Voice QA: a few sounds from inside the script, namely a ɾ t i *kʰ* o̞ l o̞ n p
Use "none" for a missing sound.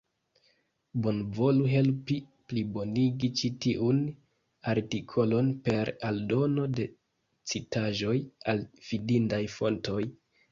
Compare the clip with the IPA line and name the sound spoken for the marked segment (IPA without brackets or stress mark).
kʰ